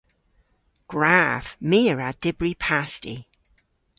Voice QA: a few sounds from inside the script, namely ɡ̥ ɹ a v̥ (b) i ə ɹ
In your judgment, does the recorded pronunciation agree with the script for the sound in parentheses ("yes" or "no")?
no